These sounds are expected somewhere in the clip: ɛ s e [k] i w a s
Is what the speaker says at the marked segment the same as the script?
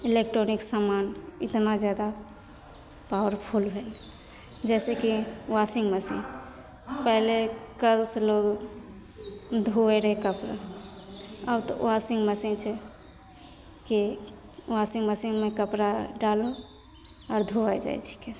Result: yes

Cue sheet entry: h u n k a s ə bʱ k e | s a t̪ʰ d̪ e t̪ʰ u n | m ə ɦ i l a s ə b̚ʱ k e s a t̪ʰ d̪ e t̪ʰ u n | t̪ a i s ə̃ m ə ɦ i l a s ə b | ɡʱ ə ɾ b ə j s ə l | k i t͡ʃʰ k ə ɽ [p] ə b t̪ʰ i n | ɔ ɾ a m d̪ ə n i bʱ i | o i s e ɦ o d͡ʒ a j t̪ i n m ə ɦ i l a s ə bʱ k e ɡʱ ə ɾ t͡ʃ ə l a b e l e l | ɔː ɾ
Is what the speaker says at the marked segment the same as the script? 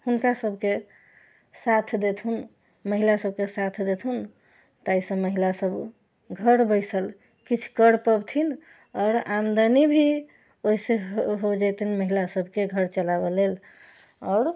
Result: yes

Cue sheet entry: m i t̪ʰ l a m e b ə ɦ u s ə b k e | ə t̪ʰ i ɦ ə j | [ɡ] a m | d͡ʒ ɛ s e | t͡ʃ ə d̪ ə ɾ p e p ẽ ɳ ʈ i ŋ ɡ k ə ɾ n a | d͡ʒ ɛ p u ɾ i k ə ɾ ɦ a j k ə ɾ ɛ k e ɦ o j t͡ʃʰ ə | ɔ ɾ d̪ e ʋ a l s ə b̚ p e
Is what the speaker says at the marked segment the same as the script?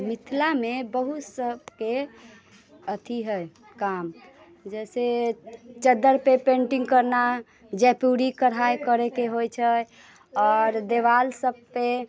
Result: no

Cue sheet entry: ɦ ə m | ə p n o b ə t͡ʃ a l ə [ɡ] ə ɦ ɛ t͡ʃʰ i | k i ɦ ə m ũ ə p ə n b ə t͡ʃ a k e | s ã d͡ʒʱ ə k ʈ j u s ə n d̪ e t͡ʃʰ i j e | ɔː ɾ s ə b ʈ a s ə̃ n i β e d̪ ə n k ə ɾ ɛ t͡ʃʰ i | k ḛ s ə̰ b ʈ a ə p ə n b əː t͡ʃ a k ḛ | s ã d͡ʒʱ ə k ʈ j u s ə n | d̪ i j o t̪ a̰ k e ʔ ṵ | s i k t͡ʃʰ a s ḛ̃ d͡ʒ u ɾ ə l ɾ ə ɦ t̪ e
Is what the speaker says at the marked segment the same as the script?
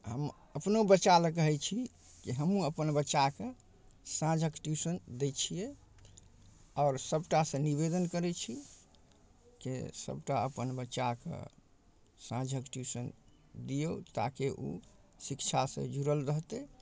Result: no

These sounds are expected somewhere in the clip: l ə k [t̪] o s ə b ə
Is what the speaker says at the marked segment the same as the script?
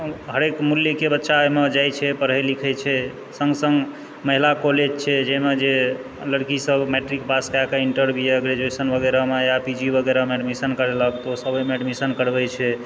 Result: yes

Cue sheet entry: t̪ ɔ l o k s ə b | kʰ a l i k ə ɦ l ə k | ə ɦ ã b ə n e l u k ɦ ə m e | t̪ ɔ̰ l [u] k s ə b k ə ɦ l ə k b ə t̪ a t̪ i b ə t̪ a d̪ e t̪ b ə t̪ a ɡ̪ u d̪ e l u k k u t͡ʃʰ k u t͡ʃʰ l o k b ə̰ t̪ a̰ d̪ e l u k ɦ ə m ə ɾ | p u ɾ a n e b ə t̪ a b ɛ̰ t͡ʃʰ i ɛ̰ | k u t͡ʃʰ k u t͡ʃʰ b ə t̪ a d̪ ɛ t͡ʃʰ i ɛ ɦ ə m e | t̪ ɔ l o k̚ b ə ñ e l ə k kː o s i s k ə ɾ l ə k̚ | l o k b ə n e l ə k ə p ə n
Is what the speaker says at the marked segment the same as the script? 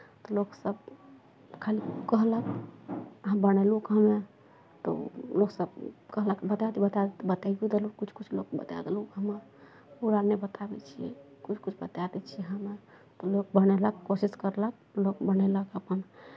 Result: no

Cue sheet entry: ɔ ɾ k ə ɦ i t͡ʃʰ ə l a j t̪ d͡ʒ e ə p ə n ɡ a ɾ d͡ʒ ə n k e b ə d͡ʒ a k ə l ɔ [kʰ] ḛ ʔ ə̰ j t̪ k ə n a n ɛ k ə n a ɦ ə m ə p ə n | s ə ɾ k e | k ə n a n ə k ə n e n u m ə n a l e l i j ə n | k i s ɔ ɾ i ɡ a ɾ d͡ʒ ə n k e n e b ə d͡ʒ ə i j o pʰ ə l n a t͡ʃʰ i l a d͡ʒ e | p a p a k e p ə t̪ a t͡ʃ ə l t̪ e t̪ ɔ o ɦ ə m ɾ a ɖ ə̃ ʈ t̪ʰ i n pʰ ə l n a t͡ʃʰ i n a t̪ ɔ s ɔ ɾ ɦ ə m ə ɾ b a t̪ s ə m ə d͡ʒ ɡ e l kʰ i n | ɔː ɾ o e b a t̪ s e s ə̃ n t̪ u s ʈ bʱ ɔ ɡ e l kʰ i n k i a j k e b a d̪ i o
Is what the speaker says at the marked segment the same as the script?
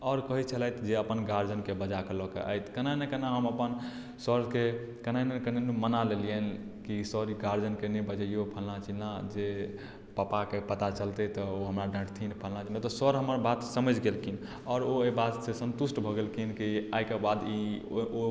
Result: no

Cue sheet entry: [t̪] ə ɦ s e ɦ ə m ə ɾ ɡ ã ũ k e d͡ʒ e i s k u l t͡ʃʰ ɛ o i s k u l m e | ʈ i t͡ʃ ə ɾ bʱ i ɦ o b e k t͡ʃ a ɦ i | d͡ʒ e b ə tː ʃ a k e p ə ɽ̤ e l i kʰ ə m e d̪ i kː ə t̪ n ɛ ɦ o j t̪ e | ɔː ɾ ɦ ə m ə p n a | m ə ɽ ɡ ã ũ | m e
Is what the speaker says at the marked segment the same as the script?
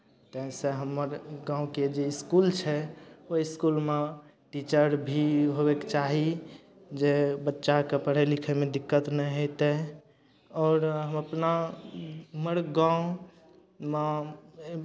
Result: yes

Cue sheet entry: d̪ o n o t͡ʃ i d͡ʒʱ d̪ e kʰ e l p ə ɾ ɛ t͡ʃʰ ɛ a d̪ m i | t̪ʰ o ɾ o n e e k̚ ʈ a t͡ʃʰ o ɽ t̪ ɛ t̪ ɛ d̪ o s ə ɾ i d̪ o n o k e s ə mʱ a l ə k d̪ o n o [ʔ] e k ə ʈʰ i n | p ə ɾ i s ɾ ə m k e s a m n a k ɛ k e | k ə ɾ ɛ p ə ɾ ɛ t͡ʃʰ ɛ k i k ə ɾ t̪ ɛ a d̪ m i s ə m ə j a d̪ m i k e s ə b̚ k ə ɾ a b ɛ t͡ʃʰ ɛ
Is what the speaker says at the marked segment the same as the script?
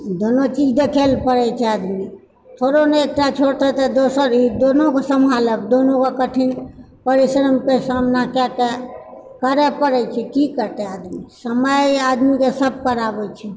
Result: no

